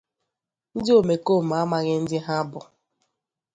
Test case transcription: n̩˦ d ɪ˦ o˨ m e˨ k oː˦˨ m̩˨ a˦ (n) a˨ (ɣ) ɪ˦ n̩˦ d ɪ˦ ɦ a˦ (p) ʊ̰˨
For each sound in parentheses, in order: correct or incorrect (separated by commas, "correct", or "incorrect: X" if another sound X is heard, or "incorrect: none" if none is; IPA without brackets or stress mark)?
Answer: incorrect: m, correct, incorrect: b